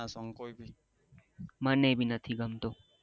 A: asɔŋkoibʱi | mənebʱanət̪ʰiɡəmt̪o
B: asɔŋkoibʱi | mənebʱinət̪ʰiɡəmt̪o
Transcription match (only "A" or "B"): B